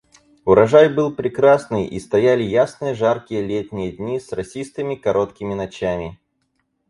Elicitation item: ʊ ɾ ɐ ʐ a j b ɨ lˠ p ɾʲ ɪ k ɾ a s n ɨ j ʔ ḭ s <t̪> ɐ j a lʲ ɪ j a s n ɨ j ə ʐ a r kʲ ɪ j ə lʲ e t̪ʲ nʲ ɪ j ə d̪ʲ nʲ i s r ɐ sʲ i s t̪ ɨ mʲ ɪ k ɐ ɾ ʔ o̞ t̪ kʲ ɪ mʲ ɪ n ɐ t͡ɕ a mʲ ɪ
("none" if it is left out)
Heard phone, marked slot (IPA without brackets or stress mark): t̪